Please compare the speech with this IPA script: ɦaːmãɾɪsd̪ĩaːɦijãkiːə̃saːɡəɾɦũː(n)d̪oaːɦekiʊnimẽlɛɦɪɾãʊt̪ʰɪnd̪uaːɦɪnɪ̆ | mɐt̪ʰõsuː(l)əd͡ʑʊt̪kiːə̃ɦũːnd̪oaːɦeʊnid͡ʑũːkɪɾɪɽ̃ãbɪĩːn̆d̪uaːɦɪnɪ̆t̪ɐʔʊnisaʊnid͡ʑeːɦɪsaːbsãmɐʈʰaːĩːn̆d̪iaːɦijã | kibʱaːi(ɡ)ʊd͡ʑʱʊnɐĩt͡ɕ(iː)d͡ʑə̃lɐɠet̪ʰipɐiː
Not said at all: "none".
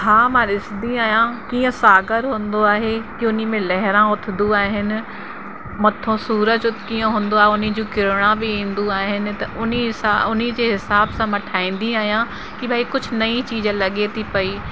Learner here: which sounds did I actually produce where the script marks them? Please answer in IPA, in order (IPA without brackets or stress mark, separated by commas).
n, ɾ, k, iː